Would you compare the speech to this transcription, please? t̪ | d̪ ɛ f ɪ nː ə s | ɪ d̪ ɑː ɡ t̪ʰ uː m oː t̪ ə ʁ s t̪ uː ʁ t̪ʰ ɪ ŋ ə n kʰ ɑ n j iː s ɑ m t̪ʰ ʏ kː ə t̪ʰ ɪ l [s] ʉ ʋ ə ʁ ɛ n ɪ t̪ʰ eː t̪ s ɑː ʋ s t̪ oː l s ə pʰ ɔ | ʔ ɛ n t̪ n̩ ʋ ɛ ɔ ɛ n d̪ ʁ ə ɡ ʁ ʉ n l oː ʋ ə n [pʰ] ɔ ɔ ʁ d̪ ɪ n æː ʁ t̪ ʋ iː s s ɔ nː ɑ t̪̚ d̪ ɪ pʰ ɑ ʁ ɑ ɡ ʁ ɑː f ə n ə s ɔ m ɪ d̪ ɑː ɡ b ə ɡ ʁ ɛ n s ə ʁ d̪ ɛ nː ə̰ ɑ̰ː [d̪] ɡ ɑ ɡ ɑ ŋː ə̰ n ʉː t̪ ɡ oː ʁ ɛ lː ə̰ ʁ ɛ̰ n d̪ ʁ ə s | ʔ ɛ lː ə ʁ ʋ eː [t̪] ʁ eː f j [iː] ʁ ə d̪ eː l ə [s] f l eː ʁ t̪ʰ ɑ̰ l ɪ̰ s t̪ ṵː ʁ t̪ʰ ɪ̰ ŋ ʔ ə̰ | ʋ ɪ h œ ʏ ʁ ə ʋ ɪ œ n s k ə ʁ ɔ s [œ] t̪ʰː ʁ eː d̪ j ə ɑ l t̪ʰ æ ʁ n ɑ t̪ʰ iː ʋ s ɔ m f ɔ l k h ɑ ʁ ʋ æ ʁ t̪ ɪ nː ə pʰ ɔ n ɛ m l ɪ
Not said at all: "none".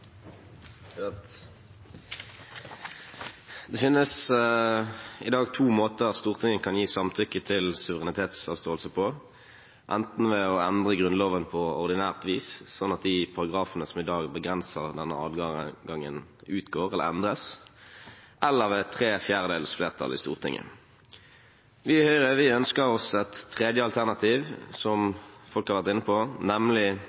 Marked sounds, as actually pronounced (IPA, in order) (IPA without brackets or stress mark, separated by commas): s, pʰ, d̪, t̪ʰ, æː, s, ɛ